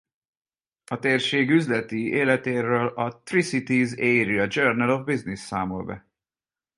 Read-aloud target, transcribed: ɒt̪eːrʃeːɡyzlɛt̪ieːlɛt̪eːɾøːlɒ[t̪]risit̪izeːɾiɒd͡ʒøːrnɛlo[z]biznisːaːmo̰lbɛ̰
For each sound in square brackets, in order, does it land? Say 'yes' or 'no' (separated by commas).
yes, no